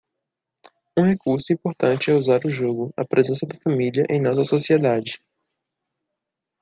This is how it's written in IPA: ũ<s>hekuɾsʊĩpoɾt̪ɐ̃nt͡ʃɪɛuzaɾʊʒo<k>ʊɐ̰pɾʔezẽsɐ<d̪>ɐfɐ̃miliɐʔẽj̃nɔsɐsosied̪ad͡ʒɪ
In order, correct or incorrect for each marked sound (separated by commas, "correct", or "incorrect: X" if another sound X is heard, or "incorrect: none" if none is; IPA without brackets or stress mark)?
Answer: incorrect: none, incorrect: ɡ, correct